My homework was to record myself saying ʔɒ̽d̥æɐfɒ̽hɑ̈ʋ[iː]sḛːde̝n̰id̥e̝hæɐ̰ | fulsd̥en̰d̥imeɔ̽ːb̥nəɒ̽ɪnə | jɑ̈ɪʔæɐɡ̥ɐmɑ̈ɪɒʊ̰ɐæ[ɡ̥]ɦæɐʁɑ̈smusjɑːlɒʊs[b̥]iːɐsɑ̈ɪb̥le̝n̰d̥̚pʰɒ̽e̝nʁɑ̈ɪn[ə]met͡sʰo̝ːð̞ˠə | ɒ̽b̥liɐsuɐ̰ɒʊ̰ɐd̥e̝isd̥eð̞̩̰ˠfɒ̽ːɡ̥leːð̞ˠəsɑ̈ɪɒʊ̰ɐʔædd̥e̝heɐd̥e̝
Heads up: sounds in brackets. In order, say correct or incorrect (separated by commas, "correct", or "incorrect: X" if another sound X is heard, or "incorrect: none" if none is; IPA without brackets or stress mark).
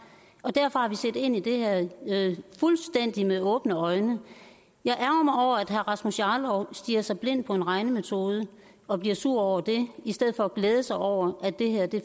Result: incorrect: i, incorrect: d̥, incorrect: d̥, correct